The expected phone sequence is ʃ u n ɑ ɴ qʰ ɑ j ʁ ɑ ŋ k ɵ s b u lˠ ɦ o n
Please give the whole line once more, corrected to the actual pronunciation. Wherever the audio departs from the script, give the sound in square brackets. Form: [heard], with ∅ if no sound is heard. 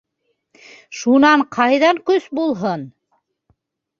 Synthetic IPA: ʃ u n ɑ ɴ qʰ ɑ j [ð] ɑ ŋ k ɵ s b u lˠ ɦ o n